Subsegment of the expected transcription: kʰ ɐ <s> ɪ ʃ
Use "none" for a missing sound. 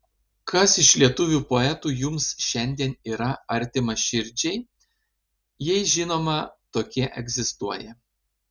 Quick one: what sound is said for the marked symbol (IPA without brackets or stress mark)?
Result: s